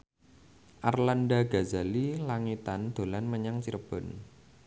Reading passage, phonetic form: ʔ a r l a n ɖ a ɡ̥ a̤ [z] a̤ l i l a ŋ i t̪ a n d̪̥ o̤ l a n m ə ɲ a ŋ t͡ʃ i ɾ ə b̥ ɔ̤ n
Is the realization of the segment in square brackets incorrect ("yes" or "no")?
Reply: no